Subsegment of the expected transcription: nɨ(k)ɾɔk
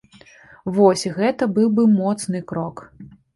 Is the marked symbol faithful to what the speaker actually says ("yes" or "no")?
yes